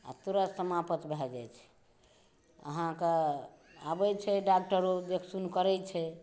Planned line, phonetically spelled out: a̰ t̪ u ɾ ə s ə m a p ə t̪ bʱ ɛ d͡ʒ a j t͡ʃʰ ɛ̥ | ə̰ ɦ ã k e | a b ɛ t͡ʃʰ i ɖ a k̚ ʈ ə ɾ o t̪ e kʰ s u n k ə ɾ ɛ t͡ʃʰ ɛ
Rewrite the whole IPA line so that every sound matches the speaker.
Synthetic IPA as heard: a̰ t̪ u ɾ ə s ə m a p ə t̪ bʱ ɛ d͡ʒ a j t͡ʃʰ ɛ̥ | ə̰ ɦ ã k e | a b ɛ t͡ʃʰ ɛ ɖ a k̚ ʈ ə ɾ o d̪ e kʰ s u n k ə ɾ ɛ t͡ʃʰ ɛ